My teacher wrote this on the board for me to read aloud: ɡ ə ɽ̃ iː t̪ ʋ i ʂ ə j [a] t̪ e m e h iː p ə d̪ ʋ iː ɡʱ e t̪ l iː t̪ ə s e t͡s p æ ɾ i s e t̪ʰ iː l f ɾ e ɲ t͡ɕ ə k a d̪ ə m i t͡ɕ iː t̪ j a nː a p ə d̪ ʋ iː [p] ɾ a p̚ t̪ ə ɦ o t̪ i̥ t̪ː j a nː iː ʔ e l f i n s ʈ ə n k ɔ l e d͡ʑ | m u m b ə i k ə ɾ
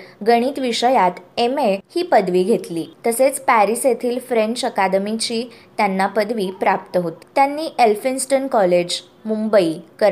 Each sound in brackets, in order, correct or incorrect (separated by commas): correct, correct